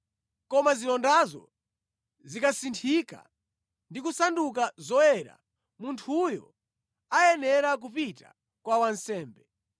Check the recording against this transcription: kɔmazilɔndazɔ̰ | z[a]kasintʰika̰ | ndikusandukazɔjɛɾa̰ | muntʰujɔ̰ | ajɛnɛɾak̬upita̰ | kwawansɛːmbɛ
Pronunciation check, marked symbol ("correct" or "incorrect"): incorrect